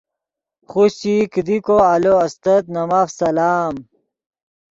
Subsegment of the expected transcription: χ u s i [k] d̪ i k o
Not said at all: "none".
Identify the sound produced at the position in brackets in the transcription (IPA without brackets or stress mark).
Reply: k